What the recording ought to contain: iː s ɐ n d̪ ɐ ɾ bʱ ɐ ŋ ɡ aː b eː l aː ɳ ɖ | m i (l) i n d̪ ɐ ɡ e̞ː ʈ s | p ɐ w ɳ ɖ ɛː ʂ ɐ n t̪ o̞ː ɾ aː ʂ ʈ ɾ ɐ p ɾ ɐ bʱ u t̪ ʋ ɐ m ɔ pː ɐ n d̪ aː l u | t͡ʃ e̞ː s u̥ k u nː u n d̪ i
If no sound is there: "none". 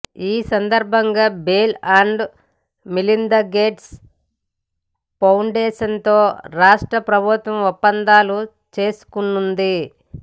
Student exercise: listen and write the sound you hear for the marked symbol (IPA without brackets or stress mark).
l